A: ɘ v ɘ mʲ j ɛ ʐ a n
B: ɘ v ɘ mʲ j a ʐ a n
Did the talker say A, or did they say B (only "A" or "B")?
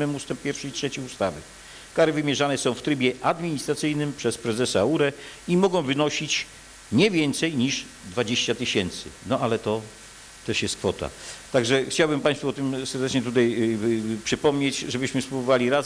A